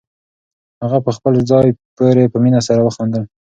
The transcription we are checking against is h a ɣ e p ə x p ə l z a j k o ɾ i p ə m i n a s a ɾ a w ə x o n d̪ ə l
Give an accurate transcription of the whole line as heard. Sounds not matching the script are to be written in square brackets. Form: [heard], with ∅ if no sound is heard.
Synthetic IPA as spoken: h a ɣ [a] p ə x p ə l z [ɑ] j [p] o ɾ [e] p ə m i n a s a ɾ a w ə x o n d̪ ə l

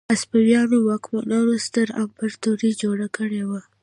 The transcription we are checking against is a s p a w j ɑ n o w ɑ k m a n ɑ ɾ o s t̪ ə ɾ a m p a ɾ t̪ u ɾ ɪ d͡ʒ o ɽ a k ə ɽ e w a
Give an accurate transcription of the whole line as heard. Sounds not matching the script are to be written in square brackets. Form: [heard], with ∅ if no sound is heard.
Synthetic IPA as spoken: a s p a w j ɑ n o w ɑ k m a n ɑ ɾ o s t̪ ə ɾ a m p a ɾ t̪ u ɾ [i] d͡ʒ o ɽ a k ə ɽ e w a

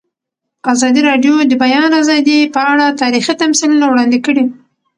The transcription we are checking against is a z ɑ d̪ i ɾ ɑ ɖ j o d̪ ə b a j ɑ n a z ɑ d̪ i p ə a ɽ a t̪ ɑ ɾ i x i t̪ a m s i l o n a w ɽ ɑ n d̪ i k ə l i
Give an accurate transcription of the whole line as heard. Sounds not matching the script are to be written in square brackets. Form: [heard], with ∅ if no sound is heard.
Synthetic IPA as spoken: a z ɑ d̪ i ɾ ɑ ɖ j o d̪ ə b a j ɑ n a z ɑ d̪ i p ə a ɽ a t̪ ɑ ɾ i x i t̪ a m s i l [u] n a w ɽ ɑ n d̪ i k ə [ɽ] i

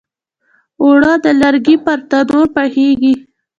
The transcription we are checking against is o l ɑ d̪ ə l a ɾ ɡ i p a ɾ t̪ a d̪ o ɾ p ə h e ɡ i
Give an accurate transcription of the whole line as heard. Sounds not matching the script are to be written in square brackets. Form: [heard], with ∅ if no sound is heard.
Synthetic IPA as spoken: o [ɽ] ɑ d̪ ə l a ɾ ɡ i p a ɾ t̪ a d̪ o ɾ p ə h e ɡ i

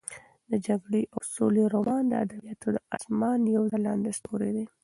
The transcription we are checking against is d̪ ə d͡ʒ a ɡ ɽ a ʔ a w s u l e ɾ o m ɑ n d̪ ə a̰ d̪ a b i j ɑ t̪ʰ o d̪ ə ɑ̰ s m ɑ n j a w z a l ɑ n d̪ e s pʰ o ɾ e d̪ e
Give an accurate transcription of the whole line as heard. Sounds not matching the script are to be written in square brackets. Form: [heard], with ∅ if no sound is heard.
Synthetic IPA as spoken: d̪ ə d͡ʒ a ɡ ɽ [e] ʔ a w s [o] l e ɾ o m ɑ n d̪ ə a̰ d̪ a b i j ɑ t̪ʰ o d̪ ə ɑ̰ s m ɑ n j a w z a l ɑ n d̪ e s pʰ o ɾ e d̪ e

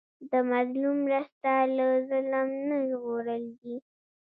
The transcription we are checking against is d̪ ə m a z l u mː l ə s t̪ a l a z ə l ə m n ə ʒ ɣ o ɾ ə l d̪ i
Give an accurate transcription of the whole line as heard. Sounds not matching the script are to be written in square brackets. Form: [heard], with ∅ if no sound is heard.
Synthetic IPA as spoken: d̪ ə m a z l u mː [ɾ] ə s t̪ a l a z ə l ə m n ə ʒ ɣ o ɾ ə l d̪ i

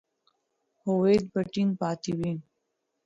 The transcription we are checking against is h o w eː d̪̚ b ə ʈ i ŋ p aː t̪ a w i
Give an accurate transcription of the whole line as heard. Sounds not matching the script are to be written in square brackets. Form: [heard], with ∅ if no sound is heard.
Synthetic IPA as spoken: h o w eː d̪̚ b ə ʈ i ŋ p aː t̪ [i] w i

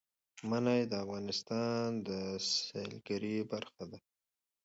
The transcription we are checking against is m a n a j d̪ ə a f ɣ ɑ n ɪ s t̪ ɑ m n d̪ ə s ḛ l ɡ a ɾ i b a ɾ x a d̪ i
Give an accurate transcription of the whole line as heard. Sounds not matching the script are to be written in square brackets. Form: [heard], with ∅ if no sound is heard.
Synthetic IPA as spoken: m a n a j d̪ ə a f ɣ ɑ n ɪ s t̪ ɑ [∅] n d̪ ə s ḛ l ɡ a ɾ i b a ɾ x a d̪ [a]

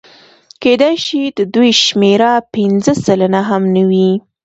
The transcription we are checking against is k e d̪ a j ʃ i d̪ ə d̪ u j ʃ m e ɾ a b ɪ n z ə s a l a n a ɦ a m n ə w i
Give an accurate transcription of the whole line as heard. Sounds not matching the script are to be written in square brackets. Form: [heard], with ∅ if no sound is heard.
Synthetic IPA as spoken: k e d̪ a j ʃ i d̪ ə d̪ u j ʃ m e ɾ a [p] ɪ n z ə s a l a n a ɦ a m n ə w i

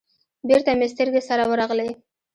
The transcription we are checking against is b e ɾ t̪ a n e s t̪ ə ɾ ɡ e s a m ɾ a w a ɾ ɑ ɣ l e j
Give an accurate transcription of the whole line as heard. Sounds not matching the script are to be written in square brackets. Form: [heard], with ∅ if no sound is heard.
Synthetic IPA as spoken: b e ɾ t̪ a [m] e s t̪ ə ɾ ɡ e s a [∅] ɾ a w [ə] ɾ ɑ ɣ l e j

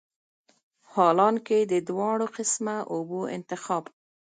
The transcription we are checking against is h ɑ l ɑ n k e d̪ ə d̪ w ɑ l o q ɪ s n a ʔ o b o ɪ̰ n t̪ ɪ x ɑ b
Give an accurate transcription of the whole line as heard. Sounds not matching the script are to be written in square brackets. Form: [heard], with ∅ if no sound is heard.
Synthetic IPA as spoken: h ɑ l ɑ n k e d̪ ə d̪ w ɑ [ɽ] o q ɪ s [m] a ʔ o b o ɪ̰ n t̪ ɪ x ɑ b

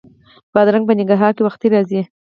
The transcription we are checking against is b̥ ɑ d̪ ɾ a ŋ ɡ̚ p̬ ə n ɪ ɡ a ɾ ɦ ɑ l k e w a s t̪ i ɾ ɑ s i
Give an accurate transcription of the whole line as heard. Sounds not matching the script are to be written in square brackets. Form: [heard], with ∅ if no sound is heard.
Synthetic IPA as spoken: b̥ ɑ d̪ ɾ a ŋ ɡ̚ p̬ ə n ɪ ɡ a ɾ ɦ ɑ [ɾ] k e w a [x] t̪ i ɾ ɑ [z] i

